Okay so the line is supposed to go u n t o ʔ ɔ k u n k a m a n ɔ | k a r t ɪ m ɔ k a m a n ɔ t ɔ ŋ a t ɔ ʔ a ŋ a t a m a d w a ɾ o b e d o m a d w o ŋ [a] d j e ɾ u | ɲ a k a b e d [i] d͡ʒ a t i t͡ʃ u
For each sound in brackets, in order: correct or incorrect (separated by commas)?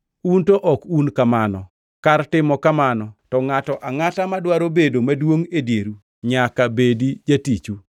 incorrect, correct